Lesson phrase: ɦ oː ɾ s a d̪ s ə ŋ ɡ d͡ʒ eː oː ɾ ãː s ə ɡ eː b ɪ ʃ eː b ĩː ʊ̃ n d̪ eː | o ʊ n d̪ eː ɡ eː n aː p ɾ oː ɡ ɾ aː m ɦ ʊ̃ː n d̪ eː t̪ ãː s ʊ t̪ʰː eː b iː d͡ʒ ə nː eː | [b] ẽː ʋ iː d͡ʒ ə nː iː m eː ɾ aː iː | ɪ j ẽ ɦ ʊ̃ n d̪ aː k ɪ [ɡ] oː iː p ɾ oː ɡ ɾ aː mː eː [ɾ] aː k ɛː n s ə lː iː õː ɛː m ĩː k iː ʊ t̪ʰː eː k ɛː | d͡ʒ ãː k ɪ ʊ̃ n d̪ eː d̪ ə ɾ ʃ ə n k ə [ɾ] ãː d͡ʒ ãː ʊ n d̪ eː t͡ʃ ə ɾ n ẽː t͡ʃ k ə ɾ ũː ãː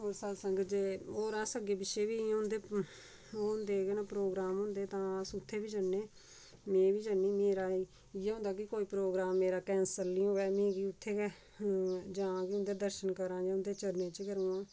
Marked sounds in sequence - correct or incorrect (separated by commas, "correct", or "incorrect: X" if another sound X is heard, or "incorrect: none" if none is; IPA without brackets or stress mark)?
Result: incorrect: m, incorrect: k, correct, correct